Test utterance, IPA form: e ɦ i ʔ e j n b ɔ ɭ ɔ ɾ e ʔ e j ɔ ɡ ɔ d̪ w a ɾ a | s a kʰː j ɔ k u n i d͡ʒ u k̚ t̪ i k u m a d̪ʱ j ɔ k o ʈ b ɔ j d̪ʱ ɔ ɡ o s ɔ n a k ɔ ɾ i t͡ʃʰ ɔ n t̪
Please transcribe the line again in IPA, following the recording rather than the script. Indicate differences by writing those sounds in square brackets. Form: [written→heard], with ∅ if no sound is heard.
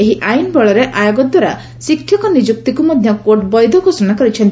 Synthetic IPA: e ɦ i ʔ [e→a] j n b ɔ ɭ ɔ ɾ e ʔ [e→a] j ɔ ɡ ɔ d̪ w a ɾ a | s [a→i] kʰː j ɔ k [u→ɔ] n i d͡ʒ u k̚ t̪ i k u m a d̪ʱ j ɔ k o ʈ b ɔ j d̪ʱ ɔ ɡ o s ɔ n a k ɔ ɾ i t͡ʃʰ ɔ n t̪